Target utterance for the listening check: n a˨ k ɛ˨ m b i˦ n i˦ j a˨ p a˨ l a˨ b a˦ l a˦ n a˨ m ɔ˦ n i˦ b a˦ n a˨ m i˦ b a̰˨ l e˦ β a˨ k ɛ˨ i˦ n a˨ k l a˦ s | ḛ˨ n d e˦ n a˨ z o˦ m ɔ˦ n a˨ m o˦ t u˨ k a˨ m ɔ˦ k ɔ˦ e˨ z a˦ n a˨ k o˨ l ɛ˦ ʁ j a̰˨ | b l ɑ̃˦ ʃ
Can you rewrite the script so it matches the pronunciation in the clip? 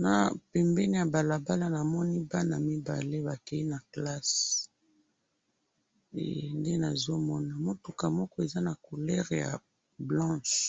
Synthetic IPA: n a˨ p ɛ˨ m b ɛ˦ n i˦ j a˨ b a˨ l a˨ b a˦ l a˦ n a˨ m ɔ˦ n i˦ b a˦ n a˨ m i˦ b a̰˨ l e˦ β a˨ k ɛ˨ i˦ n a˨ k l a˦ s | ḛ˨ n d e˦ n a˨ z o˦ m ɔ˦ n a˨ m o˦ t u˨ k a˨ m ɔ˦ k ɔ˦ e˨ z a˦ n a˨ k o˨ l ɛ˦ ʁ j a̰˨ | b l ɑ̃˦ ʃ